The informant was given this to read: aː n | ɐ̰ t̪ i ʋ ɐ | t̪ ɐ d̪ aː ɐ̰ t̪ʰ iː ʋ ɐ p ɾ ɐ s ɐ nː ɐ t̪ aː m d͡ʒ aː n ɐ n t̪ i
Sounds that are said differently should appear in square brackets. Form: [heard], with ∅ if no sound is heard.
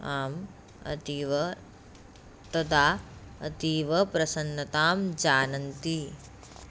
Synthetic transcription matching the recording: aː [m] | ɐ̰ t̪ i ʋ ɐ | t̪ ɐ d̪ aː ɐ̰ [t̪] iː ʋ ɐ p ɾ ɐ s ɐ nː ɐ t̪ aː m d͡ʒ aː n ɐ n t̪ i